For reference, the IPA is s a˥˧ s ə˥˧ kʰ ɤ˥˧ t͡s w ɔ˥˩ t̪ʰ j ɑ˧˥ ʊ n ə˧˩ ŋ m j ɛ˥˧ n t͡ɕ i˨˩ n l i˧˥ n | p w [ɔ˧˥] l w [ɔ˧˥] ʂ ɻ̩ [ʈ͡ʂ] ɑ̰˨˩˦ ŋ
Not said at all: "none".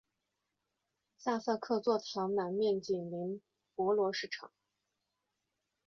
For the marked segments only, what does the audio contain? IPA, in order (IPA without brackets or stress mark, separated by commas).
ɔ˧˥, ɔ˧˥, ʈ͡ʂʰ